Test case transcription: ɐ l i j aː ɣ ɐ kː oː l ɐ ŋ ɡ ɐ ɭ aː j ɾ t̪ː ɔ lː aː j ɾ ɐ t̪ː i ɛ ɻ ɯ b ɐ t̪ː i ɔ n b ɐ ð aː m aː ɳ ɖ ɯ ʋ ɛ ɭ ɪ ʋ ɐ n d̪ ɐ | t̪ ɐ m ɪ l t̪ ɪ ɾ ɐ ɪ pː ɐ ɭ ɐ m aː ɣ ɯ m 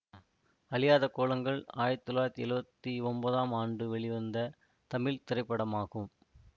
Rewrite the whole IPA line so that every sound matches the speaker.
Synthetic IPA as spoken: ɐ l ɪ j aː ð ɐ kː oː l ɐ ŋ ɡ ɐ ɭ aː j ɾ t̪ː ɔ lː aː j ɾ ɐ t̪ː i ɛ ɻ ɯ b ɐ t̪ː i ɔ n b ɐ ð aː m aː ɳ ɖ ɯ ʋ ɛ ɭ ɪ ʋ ɐ n d̪ ɐ | t̪ ɐ m ɪ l t̪ ɪ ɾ ɐ ɪ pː ɐ ɽ ɐ m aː ɣ ɯ m